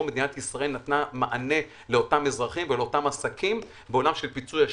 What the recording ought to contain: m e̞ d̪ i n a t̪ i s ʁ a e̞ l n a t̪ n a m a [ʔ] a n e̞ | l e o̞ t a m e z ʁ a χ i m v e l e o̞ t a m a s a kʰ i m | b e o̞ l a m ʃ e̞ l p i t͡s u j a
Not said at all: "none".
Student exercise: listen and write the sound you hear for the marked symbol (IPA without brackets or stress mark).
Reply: ʔ